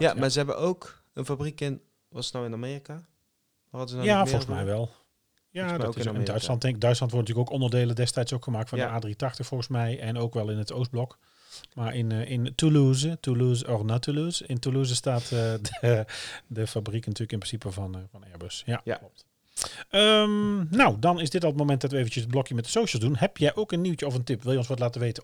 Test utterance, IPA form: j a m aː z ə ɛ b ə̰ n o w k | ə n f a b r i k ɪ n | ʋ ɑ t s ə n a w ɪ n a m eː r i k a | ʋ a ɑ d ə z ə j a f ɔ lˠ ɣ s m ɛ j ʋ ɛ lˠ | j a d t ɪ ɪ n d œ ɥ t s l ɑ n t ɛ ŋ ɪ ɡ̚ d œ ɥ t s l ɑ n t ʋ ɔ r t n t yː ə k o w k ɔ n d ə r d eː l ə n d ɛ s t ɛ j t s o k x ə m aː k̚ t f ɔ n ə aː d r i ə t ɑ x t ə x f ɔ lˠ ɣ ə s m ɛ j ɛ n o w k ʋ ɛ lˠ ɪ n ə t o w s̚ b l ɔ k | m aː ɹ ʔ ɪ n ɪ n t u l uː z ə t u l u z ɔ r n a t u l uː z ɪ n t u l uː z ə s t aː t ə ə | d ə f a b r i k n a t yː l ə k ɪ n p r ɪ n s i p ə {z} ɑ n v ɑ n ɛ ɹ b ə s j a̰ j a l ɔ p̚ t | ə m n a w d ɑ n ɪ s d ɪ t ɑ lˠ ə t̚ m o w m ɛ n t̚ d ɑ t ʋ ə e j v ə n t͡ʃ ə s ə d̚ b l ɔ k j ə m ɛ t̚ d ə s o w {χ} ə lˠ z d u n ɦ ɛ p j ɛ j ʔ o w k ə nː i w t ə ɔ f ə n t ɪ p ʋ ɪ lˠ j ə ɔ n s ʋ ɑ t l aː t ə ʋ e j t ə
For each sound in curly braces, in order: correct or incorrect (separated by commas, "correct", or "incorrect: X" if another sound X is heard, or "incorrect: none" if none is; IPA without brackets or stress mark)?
incorrect: v, incorrect: ʃ